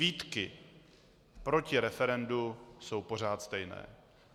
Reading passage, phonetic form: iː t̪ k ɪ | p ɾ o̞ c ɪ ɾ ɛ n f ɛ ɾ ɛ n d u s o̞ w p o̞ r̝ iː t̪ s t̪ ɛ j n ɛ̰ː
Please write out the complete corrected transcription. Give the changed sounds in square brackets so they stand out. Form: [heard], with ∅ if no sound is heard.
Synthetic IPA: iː t̪ k ɪ | p ɾ o̞ c ɪ ɾ ɛ [∅] f ɛ ɾ ɛ n d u s o̞ w p o̞ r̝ [aː] t̪ s t̪ ɛ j n ɛ̰ː